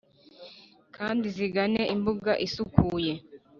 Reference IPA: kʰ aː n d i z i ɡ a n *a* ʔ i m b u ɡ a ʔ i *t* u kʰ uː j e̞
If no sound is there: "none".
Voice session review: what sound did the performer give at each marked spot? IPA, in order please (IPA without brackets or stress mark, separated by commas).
e, s